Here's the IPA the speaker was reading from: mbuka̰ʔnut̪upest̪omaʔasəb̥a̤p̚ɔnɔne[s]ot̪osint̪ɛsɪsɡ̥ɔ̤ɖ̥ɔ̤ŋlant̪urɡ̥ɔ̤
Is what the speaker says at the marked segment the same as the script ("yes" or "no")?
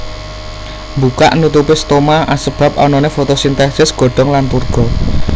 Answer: no